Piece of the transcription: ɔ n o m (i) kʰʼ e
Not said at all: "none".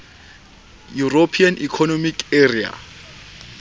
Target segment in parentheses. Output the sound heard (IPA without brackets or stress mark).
i